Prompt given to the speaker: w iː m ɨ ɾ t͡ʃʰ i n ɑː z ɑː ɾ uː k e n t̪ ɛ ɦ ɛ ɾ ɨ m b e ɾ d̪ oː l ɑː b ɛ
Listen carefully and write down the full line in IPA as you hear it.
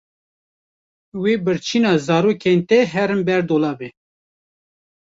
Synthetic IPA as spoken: w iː b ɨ ɾ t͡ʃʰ i n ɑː z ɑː ɾ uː k e n t̪ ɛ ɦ ɛ ɾ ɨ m b ɛ ɾ d̪ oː l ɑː b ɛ